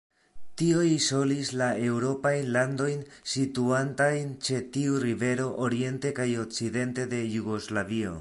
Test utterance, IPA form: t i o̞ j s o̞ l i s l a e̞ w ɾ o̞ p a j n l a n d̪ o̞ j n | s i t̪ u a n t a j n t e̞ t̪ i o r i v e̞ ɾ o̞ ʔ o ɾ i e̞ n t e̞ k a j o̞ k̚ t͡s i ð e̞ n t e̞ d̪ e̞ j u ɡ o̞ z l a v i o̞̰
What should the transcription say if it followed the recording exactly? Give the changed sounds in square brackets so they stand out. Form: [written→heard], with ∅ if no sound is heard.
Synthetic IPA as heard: t i o̞ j s o̞ l i s l a e̞ w ɾ o̞ p a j n l a n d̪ o̞ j n | s i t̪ u a n t a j n [t→t͡ʃ] e̞ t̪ i [o→u] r i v e̞ ɾ o̞ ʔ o ɾ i e̞ n t e̞ k a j o̞ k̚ t͡s i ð e̞ n t e̞ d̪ e̞ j u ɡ o̞ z l a v i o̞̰